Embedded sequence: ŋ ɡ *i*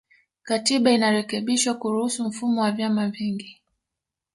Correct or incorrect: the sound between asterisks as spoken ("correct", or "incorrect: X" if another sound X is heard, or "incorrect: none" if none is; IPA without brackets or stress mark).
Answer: correct